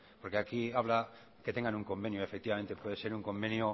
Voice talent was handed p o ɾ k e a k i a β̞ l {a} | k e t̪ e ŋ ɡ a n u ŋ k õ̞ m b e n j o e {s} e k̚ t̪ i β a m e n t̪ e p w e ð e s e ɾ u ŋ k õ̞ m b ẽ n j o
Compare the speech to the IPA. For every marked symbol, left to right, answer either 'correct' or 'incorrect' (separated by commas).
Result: correct, incorrect